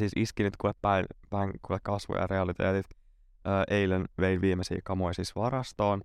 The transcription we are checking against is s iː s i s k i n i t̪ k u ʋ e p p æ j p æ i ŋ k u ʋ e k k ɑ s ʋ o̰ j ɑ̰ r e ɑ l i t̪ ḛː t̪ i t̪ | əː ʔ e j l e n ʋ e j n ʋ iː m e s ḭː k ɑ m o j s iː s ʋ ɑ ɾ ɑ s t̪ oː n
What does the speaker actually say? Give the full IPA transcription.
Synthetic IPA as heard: s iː s i s k i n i t̪ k u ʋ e p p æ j p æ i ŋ k u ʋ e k k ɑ s ʋ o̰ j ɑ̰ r e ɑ l i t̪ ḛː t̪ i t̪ | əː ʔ e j l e n ʋ e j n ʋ iː m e s ḭː k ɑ m o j s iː s ʋ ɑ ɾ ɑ s t̪ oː n